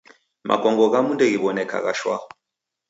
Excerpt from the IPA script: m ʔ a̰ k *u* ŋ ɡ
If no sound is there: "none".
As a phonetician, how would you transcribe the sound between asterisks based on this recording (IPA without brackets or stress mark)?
ɔ